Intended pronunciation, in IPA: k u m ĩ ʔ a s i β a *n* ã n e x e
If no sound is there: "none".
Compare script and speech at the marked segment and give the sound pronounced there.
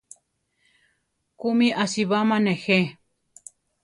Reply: m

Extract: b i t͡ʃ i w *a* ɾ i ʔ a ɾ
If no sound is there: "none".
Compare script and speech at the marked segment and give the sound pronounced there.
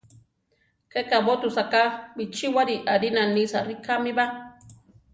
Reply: a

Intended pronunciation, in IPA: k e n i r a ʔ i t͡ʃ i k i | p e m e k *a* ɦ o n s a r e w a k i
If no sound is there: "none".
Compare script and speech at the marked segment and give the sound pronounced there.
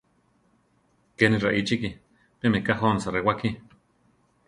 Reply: a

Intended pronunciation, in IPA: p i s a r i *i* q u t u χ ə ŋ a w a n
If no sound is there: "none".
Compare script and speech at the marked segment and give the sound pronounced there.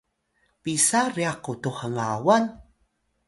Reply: a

